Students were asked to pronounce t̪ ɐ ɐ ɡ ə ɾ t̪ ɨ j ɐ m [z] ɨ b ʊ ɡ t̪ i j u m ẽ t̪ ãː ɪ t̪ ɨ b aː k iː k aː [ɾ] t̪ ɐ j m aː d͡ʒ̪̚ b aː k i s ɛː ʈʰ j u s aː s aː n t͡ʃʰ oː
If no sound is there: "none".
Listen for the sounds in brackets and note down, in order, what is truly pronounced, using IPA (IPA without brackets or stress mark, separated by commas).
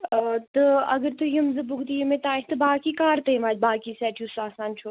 z, ɾ